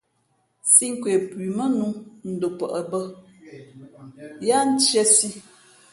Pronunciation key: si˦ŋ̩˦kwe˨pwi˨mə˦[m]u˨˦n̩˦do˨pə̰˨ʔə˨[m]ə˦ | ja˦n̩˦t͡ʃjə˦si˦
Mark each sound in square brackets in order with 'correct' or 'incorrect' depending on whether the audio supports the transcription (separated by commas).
incorrect, incorrect